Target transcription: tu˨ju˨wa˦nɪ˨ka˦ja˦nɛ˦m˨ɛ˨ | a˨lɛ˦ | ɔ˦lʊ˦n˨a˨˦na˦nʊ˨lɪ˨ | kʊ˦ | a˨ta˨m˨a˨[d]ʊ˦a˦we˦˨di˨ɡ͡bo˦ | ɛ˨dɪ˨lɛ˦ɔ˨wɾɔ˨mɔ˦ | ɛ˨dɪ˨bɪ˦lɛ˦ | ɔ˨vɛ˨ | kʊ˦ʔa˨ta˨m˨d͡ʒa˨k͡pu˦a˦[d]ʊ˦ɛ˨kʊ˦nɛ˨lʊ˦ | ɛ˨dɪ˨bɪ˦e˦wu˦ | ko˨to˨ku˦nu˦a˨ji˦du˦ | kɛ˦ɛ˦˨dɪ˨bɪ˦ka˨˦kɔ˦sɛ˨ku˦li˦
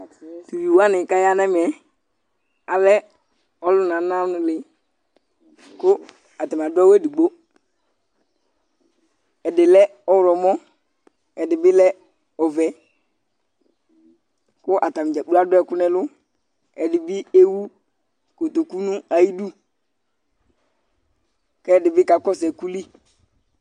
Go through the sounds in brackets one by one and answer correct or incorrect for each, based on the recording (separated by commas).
correct, correct